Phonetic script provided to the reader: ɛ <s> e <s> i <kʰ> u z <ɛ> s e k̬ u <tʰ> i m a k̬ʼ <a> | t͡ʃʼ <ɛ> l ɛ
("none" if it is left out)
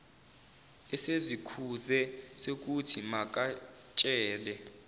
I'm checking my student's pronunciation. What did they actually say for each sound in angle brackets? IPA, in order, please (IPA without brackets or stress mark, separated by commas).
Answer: s, z, kʰ, ɛ, tʰ, a, ɛː